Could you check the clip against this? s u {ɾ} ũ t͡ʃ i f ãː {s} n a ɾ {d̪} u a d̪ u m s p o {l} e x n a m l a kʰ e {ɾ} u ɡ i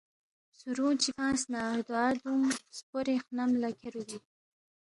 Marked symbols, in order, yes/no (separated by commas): yes, yes, yes, no, yes